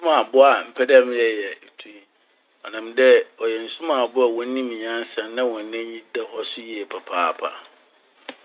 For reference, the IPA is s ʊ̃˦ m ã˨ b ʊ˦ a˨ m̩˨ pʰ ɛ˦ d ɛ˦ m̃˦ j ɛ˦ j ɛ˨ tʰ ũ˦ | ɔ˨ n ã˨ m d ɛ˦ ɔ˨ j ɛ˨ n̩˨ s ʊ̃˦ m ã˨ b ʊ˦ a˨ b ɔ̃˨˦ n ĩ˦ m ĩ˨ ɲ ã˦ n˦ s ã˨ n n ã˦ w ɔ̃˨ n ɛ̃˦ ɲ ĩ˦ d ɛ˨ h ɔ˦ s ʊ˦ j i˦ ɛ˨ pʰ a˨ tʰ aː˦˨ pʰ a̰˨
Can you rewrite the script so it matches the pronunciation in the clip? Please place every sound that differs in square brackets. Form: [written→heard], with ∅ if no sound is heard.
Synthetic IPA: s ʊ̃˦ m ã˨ b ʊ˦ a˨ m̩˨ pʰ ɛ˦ d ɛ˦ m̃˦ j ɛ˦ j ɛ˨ tʰ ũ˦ | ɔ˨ n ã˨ m d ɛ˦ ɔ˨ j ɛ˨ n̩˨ s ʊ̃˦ m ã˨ b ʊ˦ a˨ [b→w] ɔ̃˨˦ n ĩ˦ m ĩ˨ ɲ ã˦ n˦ s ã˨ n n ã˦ w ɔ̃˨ n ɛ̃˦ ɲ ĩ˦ d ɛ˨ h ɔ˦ s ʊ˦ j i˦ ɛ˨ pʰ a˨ [tʰ→pʰ] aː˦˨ pʰ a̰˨